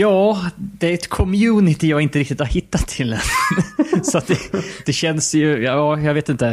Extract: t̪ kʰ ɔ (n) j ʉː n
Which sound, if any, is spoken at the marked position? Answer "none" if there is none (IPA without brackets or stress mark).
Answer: m